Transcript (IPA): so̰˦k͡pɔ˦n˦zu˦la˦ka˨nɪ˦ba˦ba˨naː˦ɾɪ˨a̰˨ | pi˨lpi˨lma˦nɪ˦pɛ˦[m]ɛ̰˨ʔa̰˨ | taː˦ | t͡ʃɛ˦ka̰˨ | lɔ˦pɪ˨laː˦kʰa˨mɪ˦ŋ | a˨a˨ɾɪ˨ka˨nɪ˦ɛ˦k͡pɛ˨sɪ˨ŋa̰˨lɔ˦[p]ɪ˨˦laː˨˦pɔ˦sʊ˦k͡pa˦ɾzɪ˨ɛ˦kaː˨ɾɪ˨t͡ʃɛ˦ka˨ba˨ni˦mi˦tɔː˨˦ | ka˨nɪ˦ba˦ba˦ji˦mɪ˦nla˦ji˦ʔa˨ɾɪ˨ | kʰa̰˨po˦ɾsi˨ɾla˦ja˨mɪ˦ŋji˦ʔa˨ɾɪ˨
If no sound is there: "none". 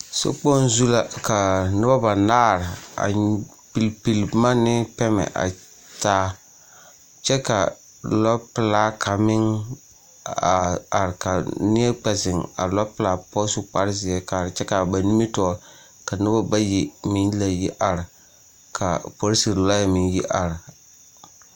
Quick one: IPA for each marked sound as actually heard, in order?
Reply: m, p

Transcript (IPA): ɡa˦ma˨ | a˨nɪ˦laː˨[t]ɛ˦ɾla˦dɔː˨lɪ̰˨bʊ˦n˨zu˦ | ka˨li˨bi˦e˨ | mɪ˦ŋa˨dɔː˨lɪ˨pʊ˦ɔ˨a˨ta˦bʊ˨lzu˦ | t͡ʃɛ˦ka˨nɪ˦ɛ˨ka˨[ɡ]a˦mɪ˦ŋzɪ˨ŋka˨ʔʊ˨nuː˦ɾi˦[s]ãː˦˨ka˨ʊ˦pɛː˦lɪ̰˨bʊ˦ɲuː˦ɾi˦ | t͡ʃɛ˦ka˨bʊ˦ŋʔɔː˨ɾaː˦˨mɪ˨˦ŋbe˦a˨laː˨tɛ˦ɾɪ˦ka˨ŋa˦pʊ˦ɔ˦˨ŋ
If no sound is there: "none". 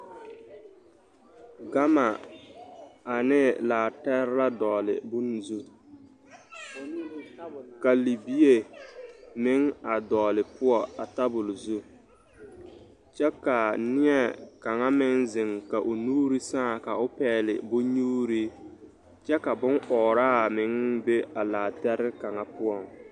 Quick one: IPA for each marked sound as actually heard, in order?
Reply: t, ŋ, s

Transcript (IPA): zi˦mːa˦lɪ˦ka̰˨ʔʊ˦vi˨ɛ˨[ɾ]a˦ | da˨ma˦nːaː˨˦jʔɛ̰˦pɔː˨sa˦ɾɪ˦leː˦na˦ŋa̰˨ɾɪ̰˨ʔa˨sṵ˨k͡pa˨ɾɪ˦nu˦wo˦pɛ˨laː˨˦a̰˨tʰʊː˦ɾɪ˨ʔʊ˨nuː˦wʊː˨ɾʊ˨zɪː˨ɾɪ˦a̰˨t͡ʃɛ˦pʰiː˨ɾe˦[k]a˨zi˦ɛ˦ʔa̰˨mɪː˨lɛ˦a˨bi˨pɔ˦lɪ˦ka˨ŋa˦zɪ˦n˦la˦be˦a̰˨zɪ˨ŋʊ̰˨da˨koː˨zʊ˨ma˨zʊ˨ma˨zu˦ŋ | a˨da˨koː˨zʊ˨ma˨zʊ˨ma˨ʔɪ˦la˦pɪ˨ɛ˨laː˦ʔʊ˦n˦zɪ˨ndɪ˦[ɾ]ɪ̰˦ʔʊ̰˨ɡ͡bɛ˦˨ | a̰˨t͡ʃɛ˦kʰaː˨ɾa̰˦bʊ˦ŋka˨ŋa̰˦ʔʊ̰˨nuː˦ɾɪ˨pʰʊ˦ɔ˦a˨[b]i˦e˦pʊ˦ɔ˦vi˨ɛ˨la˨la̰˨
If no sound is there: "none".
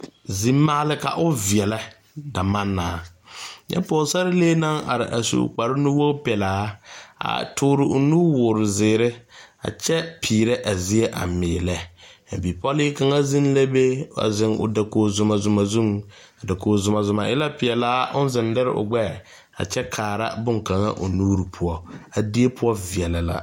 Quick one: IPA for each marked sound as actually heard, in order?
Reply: l, ʔ, ɾ, d

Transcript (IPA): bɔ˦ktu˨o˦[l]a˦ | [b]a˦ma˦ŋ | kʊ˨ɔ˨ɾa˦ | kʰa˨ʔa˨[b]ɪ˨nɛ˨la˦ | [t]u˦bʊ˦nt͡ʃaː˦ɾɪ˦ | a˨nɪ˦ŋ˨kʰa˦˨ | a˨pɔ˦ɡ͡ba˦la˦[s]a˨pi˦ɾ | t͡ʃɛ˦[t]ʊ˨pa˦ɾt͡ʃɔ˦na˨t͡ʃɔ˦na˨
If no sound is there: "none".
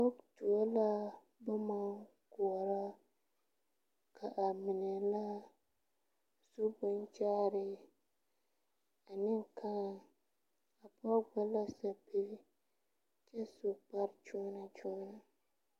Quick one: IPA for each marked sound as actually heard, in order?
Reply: l, b, m, s, s, s

